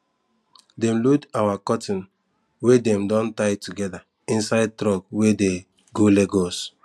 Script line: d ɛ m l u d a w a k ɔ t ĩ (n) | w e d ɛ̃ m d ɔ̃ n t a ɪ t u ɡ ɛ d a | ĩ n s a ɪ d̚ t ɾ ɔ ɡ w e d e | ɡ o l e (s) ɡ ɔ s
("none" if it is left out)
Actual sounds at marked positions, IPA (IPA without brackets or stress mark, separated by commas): n, none